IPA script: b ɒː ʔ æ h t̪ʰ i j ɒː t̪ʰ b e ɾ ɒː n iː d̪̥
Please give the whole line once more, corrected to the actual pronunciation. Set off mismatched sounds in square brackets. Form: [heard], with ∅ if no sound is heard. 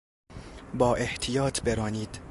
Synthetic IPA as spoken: b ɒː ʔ [e] h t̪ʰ i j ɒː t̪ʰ b e ɾ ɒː n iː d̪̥